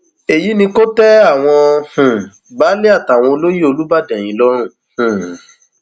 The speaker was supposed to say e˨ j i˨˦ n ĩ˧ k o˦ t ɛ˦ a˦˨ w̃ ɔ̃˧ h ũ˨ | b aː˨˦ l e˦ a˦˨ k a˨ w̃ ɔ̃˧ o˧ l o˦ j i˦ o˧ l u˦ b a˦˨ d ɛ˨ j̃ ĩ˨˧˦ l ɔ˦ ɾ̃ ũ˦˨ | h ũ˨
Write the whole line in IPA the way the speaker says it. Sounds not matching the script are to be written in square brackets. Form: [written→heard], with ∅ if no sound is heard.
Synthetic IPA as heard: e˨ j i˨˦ n ĩ˧ k o˦ t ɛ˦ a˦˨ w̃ ɔ̃˧ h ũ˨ | b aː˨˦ l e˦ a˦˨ [k→t] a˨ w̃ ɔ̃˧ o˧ l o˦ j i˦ o˧ l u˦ b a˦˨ d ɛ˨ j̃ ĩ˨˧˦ l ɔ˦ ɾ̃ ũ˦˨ | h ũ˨